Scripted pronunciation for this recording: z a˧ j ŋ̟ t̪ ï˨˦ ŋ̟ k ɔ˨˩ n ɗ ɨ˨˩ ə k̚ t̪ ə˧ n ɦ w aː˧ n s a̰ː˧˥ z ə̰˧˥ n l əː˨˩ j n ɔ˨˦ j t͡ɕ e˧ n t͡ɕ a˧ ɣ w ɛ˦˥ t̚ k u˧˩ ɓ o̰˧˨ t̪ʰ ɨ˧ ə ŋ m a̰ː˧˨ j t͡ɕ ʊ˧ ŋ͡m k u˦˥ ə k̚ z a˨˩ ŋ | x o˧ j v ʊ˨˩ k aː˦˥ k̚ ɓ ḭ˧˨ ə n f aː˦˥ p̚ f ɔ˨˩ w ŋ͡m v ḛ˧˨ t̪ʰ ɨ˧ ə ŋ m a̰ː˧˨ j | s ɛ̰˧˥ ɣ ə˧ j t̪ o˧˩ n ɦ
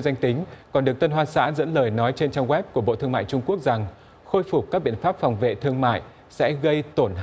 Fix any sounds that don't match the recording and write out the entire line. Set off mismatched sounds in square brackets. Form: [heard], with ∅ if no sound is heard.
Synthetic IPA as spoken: z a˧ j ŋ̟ t̪ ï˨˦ ŋ̟ k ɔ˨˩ n ɗ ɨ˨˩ ə k̚ t̪ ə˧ n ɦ w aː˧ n s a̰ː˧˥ z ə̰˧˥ n l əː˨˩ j n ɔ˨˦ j t͡ɕ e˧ n t͡ɕ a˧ ɣ w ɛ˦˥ [p̚] k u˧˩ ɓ o̰˧˨ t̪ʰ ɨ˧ ə ŋ m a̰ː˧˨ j t͡ɕ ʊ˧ ŋ͡m k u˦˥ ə k̚ z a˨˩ ŋ | x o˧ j [f] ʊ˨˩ k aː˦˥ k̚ ɓ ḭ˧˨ ə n f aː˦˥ p̚ f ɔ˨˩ w ŋ͡m v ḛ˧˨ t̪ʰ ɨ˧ ə ŋ m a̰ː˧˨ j | s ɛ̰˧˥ ɣ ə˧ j t̪ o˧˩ n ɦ